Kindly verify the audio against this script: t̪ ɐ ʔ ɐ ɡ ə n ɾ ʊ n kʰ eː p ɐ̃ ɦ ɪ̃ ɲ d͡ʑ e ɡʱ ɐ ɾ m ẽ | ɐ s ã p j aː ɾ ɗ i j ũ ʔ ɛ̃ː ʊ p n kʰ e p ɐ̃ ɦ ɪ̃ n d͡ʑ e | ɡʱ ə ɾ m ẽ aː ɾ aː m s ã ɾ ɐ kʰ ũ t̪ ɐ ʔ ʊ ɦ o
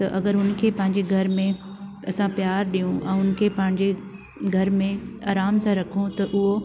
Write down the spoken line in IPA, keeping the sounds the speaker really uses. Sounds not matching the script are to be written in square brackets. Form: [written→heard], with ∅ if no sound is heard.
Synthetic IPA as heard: t̪ ɐ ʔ ɐ ɡ ə [n→∅] ɾ ʊ n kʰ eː p ɐ̃ ɦ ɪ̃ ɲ d͡ʑ e ɡʱ ɐ ɾ m ẽ | ɐ s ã p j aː ɾ ɗ i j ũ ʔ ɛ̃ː ʊ [p→∅] n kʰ e p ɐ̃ ɦ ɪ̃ [n→ɲ] d͡ʑ e | ɡʱ [ə→ɐ] ɾ m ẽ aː ɾ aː m s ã ɾ ɐ kʰ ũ t̪ ɐ ʔ ʊ ɦ o

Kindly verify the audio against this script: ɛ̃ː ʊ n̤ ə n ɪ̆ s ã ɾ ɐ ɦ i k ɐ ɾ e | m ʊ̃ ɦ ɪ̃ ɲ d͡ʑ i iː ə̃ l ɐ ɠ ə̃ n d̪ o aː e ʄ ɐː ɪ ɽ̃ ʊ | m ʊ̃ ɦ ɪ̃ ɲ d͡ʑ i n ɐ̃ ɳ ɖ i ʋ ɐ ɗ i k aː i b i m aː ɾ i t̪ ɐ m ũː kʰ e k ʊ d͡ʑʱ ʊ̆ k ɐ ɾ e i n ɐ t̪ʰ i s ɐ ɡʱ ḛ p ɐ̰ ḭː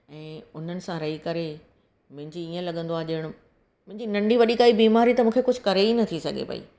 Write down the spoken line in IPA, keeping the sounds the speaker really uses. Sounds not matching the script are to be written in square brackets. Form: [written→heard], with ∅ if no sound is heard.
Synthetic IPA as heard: ɛ̃ː ʊ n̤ ə n ɪ̆ s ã ɾ ɐ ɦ i k ɐ ɾ e | m ʊ̃ ɦ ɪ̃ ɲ d͡ʑ i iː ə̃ l ɐ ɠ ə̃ n d̪ o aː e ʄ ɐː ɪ ɽ̃ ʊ | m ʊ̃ ɦ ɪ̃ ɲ d͡ʑ i n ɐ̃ ɳ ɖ i ʋ ɐ ɗ i k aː i b [i→iː] m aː ɾ i t̪ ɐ m ũː kʰ e k ʊ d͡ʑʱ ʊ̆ k ɐ ɾ e i n ɐ t̪ʰ i s ɐ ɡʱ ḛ p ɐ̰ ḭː

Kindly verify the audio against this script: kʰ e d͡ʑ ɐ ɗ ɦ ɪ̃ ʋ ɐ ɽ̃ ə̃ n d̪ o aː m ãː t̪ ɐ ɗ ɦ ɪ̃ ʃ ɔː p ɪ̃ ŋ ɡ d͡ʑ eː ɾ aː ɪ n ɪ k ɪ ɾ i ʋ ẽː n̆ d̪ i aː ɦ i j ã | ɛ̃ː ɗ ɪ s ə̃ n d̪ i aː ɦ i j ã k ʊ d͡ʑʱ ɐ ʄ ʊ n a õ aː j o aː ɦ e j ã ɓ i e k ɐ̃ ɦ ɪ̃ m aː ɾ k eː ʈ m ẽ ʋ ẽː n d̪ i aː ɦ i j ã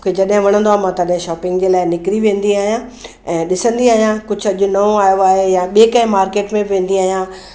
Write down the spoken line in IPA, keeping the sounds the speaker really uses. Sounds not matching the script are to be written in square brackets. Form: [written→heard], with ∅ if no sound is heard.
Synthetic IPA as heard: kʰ e d͡ʑ ɐ ɗ ɦ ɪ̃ ʋ ɐ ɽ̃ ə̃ n d̪ o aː m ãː t̪ ɐ ɗ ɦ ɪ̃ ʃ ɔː p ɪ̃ ŋ ɡ d͡ʑ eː [ɾ→l] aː ɪ n ɪ k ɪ ɾ i ʋ ẽː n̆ d̪ i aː ɦ i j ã | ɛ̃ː ɗ ɪ s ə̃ n d̪ i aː ɦ i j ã k ʊ d͡ʑʱ ɐ ʄ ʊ n [a→ɐ] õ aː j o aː ɦ e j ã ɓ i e k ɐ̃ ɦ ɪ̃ m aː ɾ k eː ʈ m ẽ ʋ ẽː n d̪ i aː ɦ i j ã

